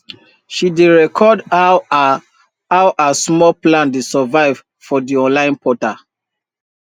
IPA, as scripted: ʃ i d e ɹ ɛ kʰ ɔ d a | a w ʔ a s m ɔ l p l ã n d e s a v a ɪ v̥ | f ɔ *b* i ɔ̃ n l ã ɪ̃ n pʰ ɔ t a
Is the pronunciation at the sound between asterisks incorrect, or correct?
incorrect